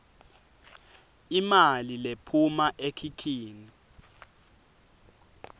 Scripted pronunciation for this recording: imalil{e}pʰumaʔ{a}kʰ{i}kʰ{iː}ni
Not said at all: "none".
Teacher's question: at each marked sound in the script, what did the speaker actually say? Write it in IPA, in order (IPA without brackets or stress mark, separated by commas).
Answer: e, e, i, iː